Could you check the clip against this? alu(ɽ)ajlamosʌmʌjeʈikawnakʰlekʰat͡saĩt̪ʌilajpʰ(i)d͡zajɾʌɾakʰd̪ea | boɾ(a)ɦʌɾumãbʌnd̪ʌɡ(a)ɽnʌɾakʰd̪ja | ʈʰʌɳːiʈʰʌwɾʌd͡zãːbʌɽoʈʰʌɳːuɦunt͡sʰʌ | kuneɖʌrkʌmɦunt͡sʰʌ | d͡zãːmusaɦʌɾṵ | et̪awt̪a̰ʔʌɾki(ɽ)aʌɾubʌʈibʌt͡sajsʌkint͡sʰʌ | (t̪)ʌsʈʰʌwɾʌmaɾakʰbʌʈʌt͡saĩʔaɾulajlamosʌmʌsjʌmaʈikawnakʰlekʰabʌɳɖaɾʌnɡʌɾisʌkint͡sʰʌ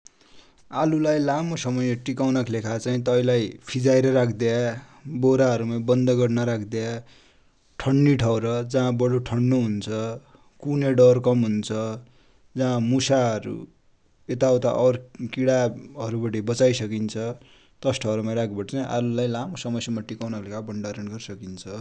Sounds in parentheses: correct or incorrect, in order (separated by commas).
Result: incorrect, correct, correct, incorrect, correct, correct